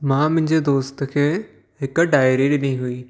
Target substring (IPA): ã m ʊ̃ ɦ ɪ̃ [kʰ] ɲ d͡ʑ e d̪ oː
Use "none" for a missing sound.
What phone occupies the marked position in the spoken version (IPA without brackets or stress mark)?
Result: none